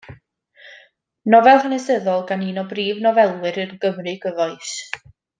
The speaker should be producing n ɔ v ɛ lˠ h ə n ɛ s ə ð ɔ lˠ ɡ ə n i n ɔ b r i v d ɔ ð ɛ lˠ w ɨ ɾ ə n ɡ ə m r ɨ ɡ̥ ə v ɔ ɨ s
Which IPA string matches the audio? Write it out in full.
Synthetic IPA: n ɔ v ɛ lˠ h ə n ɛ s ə ð ɔ lˠ ɡ a n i n ɔ b r iː v n ɔ v ɛ lˠ w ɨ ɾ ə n ɡ ə m r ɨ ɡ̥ ə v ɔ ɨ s